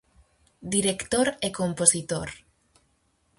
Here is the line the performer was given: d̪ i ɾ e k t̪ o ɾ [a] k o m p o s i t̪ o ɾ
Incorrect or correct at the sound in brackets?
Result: incorrect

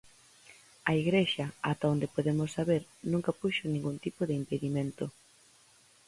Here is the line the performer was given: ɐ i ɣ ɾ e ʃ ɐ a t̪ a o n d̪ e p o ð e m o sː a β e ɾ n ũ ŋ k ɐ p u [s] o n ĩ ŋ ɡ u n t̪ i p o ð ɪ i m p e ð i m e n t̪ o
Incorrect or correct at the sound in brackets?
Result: incorrect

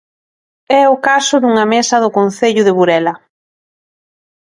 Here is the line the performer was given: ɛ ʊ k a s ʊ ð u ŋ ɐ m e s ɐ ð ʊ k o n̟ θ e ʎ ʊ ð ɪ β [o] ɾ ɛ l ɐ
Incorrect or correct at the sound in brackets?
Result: incorrect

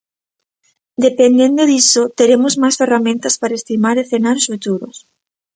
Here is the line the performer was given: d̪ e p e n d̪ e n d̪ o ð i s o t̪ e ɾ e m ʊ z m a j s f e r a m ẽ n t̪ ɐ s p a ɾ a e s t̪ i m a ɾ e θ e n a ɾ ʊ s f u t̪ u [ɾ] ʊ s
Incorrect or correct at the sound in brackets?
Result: correct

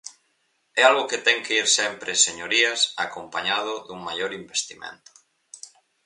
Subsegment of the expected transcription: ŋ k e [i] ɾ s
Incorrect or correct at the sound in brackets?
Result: correct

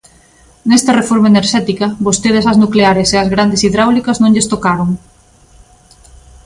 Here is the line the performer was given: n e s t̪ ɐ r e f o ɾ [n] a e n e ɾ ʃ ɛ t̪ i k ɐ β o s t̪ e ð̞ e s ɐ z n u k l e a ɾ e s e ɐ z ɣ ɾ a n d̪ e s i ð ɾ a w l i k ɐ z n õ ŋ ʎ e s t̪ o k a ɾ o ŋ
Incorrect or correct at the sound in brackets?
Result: incorrect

